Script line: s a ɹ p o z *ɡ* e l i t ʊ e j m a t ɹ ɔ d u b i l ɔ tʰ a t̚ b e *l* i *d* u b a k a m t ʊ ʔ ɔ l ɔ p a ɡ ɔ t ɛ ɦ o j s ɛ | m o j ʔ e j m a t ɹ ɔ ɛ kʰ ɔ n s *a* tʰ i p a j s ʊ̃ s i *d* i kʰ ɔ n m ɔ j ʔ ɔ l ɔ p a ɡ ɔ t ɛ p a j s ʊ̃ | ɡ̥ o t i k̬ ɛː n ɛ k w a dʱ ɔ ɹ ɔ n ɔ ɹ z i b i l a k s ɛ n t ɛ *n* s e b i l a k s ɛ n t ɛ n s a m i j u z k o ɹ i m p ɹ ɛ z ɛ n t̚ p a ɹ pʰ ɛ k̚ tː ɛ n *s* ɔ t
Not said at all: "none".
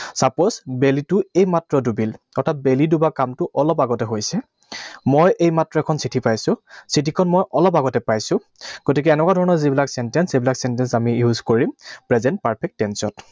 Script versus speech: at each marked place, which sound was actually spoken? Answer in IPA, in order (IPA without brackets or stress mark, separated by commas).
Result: b, l, d, i, t, n, s